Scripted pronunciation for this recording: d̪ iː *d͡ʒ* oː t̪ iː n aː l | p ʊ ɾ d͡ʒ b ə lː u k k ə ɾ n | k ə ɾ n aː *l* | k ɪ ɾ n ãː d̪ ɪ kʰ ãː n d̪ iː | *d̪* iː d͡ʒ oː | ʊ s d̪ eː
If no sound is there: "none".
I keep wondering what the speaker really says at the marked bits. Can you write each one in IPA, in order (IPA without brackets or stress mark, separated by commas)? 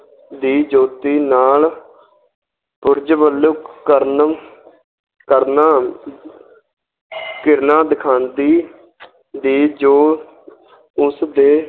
d͡ʒ, none, d̪